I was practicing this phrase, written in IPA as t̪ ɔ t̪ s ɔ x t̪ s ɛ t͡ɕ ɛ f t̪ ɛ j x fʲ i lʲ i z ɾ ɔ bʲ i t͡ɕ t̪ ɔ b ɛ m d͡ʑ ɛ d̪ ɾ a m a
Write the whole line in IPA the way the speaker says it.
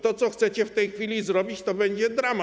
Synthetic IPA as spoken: t̪ ɔ t̪ s ɔ x t̪ s ɛ t͡ɕ ɛ f t̪ ɛ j x fʲ i lʲ i z ɾ ɔ bʲ i t͡ɕ t̪ ɔ b ɛ ɲ d͡ʑ ɛ d̪ ɾ a m a